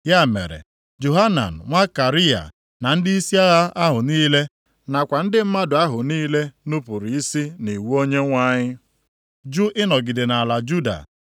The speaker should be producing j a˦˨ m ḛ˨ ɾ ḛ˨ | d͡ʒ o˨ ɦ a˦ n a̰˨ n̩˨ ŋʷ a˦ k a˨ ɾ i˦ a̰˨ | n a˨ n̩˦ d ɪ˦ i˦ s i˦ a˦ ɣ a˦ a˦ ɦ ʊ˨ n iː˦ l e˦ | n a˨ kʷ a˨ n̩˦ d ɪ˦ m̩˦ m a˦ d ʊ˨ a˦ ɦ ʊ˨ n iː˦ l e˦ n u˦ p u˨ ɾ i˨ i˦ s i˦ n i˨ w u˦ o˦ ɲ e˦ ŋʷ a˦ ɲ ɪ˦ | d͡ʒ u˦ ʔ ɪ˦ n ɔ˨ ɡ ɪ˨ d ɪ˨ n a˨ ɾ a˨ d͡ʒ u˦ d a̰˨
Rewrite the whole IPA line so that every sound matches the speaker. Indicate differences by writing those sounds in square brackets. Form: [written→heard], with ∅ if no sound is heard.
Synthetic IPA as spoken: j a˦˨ m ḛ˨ ɾ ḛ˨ | d͡ʒ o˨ ɦ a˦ n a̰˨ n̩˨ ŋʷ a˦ k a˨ ɾ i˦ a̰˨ | n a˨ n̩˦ d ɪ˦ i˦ s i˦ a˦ ɣ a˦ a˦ ɦ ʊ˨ n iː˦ l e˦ | n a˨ kʷ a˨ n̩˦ d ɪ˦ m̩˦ m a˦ d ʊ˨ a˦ ɦ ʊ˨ n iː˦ l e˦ n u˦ p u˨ ɾ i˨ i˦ s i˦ n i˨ w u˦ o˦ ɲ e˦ ŋʷ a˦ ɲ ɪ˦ | d͡ʒ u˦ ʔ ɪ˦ n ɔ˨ ɡ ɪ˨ d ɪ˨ n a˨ [ɾ→l] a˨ d͡ʒ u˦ d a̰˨